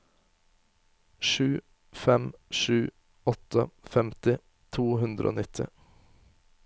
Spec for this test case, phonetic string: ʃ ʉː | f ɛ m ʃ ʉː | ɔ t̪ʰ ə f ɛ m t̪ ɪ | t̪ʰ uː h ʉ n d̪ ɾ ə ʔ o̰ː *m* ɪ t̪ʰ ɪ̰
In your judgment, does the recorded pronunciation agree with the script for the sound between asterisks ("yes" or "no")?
no